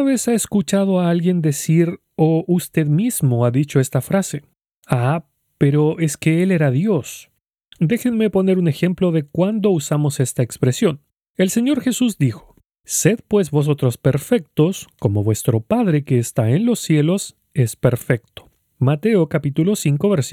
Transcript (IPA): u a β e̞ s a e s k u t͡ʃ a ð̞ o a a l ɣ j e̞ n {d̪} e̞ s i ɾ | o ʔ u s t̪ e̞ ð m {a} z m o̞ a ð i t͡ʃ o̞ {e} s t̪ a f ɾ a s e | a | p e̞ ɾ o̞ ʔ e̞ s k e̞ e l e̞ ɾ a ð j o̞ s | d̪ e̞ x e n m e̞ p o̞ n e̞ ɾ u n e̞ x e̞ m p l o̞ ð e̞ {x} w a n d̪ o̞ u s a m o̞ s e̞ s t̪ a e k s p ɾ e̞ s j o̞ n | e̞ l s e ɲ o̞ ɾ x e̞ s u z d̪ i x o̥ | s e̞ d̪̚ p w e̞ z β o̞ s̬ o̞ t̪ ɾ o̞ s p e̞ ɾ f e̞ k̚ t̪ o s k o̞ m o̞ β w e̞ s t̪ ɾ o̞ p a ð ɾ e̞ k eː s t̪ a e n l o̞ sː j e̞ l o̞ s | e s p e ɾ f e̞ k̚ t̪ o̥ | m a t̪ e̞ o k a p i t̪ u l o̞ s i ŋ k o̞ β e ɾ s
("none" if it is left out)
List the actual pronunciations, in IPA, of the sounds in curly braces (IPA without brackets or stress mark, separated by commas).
d̪, i, e, k